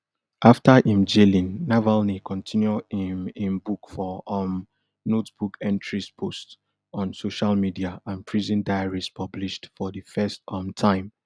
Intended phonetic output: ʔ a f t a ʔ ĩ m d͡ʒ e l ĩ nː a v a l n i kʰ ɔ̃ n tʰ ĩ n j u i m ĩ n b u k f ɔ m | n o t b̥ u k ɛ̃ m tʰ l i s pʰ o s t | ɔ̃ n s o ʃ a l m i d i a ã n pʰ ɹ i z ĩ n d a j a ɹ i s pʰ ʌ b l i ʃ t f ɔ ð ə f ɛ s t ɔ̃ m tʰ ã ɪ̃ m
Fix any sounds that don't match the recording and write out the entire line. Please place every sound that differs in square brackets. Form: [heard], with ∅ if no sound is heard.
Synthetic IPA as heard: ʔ a f t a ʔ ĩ m d͡ʒ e l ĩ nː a v a l n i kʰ ɔ̃ n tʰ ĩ n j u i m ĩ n b u k f ɔ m | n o t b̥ u k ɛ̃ [n] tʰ [ɹ] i s pʰ o s t | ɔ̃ n s o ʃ a l m i d i a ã n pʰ ɹ i z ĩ n d a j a ɹ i s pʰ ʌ b l i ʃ t f ɔ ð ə f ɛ s t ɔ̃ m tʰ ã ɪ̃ m